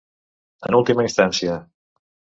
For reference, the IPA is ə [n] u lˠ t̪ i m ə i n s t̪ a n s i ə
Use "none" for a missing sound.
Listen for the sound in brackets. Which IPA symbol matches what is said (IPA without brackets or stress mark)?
n